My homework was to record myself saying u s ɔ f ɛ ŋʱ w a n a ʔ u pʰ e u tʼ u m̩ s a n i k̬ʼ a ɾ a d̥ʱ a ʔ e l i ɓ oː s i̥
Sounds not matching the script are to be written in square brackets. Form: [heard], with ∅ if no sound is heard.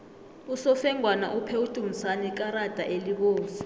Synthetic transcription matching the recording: u s ɔ f ɛ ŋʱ w a n a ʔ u pʰ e u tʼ u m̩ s a n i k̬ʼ a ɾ a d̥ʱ a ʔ e l i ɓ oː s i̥